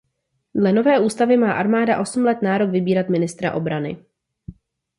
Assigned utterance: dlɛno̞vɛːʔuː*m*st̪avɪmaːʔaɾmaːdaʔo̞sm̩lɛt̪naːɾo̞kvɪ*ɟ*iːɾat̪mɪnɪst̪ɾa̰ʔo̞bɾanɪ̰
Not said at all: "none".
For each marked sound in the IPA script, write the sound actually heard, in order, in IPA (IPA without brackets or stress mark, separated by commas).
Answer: none, b